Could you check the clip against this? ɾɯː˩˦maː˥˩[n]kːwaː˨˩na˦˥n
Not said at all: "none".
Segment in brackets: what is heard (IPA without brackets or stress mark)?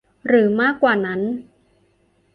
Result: none